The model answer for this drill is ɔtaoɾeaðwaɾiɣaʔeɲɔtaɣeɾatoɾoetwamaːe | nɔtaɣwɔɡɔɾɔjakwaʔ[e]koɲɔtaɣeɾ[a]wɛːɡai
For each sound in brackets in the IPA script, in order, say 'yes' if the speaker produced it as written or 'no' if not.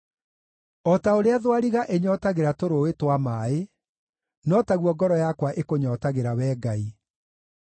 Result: yes, yes

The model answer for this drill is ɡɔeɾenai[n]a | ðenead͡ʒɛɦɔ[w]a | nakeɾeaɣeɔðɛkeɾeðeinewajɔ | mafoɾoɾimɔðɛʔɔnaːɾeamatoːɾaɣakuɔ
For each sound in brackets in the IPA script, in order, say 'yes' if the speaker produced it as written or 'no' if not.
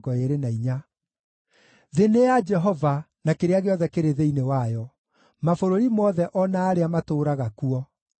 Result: no, no

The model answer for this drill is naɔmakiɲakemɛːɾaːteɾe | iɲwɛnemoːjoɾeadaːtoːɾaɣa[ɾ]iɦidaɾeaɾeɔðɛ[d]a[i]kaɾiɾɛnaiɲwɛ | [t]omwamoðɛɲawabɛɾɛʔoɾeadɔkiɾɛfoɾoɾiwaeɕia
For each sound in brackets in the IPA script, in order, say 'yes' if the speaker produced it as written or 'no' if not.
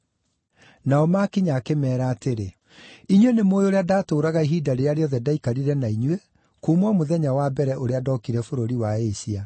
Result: no, yes, yes, no

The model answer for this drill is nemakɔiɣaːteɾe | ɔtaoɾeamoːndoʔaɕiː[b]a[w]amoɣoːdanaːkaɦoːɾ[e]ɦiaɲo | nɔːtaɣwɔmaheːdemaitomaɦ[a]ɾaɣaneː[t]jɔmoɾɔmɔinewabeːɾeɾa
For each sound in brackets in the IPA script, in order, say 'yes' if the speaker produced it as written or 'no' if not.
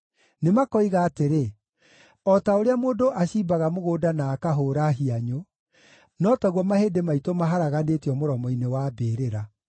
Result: yes, no, no, yes, yes

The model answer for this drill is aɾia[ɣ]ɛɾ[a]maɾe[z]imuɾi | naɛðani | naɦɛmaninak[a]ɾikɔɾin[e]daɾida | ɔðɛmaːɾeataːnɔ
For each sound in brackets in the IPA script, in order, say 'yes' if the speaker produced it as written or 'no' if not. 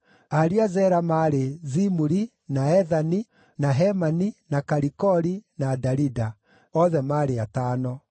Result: no, yes, yes, yes, no

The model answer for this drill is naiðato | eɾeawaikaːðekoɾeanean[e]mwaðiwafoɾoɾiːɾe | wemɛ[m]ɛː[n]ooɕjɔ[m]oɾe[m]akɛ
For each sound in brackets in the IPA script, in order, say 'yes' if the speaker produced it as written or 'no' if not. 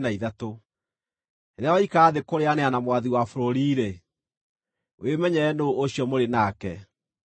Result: no, no, yes, yes, no

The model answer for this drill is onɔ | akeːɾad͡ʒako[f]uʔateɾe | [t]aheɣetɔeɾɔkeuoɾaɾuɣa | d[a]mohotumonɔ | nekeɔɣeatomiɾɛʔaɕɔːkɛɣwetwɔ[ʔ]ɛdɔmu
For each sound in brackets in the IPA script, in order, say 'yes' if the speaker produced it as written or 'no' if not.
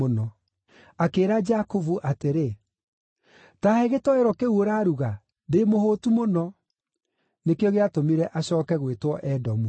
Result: no, yes, no, yes

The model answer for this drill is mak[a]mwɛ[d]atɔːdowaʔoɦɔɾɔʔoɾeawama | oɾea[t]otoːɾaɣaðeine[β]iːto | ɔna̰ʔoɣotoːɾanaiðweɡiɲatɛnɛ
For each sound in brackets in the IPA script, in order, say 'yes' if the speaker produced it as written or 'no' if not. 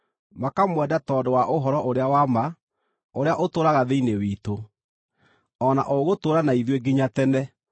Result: yes, yes, no, no

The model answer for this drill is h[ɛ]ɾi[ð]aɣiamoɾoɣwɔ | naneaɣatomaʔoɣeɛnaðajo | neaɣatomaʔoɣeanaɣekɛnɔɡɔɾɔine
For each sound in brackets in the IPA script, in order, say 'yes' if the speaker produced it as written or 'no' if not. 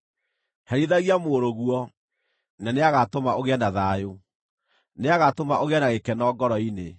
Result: yes, yes

